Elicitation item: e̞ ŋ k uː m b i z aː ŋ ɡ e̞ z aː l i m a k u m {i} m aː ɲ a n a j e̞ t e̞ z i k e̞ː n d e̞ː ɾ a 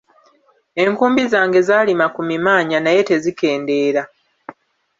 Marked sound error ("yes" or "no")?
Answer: no